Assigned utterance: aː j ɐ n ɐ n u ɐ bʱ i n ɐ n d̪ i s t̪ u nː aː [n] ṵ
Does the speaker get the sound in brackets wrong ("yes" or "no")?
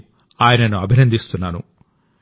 no